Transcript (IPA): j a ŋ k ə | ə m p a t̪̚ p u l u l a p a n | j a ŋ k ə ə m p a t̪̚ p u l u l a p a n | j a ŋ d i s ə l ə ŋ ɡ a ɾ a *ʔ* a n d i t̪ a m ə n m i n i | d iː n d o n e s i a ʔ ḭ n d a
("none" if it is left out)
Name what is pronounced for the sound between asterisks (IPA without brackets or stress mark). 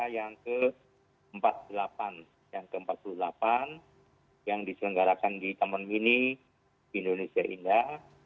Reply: k